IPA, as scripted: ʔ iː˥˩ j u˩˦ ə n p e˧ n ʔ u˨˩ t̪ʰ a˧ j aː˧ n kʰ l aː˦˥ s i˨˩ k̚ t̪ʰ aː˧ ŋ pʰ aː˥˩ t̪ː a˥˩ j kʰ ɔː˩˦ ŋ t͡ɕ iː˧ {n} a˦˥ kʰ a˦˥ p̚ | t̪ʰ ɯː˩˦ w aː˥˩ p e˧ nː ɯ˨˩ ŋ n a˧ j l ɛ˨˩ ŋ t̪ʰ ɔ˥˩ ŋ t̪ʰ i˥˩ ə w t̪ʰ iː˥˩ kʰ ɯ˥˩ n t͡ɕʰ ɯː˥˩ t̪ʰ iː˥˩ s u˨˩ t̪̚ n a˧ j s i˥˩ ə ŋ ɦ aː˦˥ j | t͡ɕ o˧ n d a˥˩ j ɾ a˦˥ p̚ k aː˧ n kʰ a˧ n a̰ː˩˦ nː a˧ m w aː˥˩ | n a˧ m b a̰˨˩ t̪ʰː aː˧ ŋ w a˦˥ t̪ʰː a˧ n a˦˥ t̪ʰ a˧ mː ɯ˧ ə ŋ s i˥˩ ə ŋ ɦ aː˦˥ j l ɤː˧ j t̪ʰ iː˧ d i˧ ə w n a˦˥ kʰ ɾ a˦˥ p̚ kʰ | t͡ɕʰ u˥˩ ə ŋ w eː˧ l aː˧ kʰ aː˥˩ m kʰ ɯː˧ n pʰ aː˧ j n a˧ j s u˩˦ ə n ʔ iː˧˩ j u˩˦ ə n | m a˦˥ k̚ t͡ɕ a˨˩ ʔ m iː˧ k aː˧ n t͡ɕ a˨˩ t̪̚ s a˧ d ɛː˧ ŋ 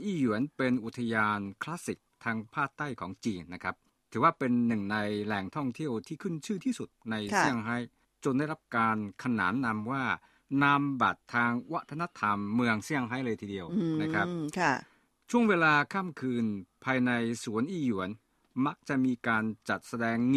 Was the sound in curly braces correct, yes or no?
no